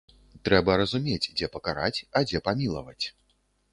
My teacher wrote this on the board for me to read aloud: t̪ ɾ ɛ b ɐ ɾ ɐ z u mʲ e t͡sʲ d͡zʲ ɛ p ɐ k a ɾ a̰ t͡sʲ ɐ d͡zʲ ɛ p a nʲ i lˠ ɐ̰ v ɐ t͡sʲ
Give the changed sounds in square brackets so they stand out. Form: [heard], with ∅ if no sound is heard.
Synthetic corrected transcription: t̪ ɾ ɛ b ɐ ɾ ɐ z u mʲ e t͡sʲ d͡zʲ ɛ p ɐ k a ɾ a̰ t͡sʲ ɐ d͡zʲ ɛ p a [mʲ] i lˠ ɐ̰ v ɐ t͡sʲ